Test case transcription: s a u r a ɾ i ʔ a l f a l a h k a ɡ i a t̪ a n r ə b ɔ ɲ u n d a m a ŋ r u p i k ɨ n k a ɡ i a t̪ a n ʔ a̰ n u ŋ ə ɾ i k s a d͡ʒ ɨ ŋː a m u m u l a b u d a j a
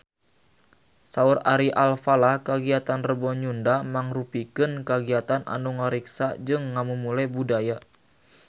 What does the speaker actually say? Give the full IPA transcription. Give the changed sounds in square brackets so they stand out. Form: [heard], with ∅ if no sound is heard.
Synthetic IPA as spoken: s a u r a ɾ i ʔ a l f a l a h k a ɡ i a t̪ a n r ə b ɔ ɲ u n d a m a ŋ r u p i k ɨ n k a ɡ i a t̪ a n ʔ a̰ n u ŋ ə ɾ i k s a d͡ʒ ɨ ŋː a m u m u l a b u d a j a